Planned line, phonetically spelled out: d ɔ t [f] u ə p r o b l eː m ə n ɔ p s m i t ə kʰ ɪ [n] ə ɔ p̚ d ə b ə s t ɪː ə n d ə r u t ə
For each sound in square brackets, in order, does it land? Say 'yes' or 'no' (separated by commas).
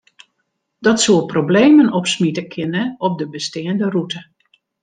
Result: no, yes